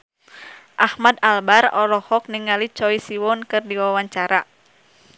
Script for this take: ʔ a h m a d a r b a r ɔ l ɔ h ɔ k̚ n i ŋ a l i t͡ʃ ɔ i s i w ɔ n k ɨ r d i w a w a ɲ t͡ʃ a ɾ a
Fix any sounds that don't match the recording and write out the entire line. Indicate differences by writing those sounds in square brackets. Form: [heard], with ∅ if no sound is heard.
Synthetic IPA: ʔ a h m a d a [l] b a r ɔ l ɔ h ɔ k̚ n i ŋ a l i t͡ʃ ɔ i s i w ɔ n k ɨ r d i w a w a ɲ t͡ʃ a ɾ a